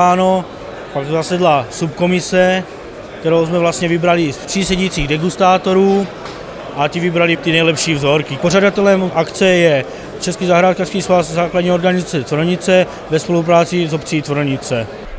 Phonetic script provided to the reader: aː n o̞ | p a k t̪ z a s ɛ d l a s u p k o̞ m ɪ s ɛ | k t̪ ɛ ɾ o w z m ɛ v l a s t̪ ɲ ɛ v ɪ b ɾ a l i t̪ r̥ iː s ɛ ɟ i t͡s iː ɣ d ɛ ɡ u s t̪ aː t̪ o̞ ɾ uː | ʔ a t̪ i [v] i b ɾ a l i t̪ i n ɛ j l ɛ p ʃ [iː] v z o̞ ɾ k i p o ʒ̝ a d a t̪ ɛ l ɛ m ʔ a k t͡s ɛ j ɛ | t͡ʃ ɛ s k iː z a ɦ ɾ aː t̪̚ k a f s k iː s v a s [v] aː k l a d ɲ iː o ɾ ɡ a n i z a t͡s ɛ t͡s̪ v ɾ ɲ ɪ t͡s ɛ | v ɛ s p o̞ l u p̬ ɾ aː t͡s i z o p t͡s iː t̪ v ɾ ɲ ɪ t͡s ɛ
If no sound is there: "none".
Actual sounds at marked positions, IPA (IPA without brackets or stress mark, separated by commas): v, iː, z